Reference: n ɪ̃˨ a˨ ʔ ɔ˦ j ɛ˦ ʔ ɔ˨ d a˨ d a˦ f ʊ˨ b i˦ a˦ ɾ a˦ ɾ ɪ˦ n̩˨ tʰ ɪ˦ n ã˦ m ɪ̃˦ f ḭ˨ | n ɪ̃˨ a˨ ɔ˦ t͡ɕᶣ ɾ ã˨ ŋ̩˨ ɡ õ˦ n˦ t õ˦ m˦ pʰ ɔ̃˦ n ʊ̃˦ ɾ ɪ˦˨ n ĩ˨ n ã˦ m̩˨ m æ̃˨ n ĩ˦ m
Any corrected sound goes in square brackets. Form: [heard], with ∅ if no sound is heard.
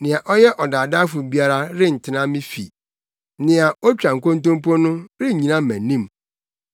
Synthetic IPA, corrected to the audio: n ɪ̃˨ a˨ ʔ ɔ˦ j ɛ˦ ʔ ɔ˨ d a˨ d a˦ f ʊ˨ b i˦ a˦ ɾ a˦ ɾ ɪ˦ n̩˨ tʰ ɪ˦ n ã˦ m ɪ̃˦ f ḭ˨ | n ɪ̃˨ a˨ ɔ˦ t͡ɕᶣ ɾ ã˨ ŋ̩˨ [k] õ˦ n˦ t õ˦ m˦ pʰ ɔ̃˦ n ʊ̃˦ ɾ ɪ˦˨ [ɲ] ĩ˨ n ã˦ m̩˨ m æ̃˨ n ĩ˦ m